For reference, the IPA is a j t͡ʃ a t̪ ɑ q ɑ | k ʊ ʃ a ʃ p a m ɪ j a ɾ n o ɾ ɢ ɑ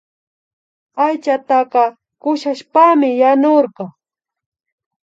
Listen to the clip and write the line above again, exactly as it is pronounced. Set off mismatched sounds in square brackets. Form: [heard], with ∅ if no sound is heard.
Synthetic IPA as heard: a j t͡ʃ a t̪ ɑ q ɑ | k ʊ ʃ a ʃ p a m ɪ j a [∅] n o ɾ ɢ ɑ